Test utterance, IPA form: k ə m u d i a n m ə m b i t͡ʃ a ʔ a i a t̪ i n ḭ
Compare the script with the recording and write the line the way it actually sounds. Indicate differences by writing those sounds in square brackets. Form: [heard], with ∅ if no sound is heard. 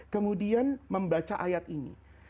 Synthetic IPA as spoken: k ə m u d i a n m ə m b [a] t͡ʃ a ʔ a [j] a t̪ i n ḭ